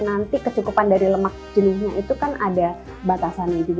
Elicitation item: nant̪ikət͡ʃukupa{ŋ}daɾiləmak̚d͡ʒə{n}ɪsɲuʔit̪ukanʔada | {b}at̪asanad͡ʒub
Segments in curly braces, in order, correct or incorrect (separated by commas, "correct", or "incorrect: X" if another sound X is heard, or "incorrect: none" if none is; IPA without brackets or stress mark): incorrect: n, correct, correct